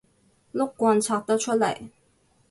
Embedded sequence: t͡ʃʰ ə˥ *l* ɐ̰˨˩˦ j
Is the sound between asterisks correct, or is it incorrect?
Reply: correct